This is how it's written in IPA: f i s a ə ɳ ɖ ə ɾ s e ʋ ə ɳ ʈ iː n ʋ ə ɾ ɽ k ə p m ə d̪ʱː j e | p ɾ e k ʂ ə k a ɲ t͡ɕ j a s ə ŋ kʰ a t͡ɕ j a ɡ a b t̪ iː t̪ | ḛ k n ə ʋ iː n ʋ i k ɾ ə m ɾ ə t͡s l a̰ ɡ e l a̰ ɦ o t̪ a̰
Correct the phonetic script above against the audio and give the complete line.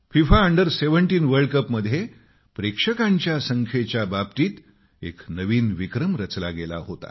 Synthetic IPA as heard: f i f a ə ɳ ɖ ə ɾ s e ʋ ə ɳ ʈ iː n ʋ ə ɾ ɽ k ə p m ə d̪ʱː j e | p ɾ e k ʂ ə k a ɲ t͡ɕ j a s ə ŋ kʰ e t͡ɕ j a b a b t̪ iː t̪ | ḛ k n ə ʋ iː n ʋ i k ɾ ə m ɾ ə t͡s l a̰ ɡ e l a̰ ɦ o t̪ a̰